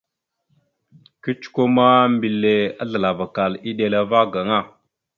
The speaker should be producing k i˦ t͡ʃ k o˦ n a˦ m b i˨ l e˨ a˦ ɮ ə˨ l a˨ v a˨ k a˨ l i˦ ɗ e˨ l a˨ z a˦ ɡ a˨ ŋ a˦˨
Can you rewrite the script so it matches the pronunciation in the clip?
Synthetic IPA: k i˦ t͡ʃ k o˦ m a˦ m b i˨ l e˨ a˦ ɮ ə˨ l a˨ v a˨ k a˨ l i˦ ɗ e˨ l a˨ v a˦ ɡ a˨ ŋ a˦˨